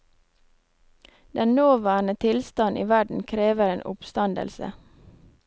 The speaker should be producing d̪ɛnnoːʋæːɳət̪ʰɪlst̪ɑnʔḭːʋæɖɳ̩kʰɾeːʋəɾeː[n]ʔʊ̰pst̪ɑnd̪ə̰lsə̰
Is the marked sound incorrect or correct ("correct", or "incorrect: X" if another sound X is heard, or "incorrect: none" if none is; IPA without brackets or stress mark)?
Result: correct